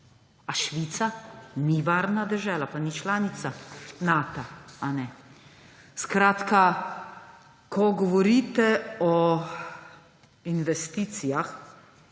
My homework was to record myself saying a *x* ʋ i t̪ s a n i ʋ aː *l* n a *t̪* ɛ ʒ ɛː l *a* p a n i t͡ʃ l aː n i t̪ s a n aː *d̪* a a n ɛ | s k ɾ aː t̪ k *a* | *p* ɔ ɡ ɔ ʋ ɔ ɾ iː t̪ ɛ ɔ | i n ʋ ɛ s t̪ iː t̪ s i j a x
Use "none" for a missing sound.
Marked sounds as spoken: ʃ, ɾ, d̪, a, t̪, a, k

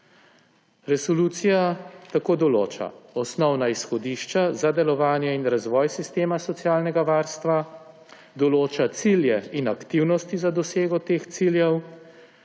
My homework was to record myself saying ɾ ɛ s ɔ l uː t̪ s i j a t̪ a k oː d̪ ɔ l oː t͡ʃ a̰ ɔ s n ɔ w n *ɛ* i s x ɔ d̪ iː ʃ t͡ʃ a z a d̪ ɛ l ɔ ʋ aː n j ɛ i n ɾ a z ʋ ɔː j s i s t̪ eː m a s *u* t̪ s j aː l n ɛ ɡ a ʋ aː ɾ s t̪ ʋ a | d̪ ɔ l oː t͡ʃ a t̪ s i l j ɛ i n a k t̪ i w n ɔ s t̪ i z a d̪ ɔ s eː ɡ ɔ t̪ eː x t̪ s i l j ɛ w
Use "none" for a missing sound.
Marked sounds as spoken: a, ɔ

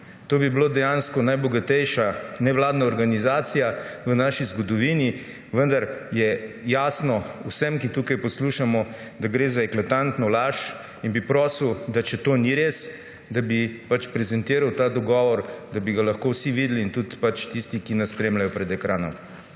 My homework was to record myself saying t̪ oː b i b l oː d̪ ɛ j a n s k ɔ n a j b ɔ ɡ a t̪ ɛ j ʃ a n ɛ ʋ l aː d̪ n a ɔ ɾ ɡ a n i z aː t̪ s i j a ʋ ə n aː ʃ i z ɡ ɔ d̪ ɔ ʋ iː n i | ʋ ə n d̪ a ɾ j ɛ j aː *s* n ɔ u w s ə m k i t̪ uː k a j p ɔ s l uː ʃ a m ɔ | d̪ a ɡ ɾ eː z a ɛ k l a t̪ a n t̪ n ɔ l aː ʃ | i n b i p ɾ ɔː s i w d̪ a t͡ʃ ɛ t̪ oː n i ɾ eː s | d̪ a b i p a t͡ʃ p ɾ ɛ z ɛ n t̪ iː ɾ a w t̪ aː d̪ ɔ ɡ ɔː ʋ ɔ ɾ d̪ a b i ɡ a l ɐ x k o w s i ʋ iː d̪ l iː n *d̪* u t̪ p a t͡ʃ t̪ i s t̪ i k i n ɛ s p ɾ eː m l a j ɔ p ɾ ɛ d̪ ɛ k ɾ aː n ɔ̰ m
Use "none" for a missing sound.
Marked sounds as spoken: s, t̪

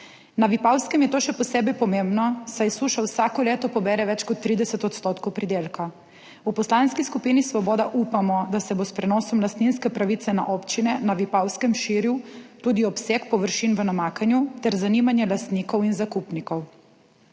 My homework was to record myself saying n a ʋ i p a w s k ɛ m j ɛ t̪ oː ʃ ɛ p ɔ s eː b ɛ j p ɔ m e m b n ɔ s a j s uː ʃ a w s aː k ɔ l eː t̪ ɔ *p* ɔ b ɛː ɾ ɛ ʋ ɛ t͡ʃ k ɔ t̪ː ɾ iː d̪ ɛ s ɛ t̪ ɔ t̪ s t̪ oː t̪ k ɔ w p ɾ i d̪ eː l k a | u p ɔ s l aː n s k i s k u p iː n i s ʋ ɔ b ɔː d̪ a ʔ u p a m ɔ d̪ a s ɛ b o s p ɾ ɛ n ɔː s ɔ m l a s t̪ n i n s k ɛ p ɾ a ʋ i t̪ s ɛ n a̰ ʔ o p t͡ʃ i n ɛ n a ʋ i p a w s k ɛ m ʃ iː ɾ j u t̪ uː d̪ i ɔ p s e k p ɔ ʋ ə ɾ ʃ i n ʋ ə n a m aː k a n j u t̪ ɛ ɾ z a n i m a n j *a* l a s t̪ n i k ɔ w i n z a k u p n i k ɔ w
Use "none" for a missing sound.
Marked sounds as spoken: p, ɛ

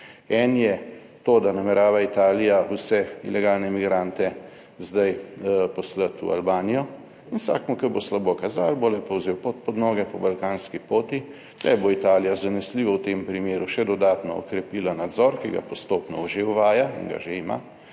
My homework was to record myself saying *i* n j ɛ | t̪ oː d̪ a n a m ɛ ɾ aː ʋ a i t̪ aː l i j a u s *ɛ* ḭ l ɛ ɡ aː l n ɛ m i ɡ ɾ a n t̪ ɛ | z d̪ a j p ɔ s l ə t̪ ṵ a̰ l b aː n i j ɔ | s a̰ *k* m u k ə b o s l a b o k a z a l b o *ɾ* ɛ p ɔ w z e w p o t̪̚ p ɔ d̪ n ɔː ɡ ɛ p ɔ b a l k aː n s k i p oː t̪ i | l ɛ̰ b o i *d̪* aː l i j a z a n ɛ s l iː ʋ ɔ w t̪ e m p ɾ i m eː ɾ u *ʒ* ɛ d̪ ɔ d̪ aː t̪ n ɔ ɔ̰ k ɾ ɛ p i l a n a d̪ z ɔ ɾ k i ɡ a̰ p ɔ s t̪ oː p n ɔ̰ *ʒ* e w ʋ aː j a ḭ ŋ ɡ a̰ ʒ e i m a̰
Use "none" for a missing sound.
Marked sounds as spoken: ɛ, ɛ, k, l, t̪, ʃ, ʒ

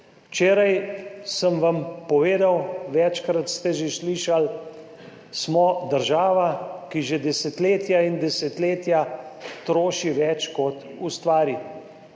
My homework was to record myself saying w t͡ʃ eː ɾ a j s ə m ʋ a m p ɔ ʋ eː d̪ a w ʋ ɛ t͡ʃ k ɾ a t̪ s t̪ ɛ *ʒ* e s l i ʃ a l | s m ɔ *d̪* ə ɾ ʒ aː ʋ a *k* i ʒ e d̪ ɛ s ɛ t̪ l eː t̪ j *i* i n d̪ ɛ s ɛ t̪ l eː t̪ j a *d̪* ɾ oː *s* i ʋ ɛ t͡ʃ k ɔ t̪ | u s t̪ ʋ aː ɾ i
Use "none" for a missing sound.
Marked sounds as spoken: ʒ, d̪, k, a, t̪, ʃ

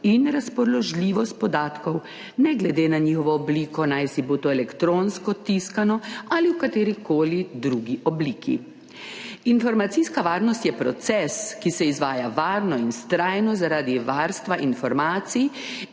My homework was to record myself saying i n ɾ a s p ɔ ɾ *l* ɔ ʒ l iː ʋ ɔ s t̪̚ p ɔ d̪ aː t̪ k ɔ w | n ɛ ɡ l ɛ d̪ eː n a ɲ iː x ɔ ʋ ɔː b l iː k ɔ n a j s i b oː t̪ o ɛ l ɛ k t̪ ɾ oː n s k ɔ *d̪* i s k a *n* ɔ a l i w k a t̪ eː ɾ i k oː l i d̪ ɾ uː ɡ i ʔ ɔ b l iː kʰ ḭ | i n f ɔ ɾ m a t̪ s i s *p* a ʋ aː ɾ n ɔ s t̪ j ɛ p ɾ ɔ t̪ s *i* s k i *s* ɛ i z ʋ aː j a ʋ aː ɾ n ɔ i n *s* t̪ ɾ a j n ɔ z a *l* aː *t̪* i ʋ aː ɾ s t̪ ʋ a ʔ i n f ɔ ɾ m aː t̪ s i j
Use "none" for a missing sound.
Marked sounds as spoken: l, t̪, n, k, ɛ, s, s, ɾ, d̪

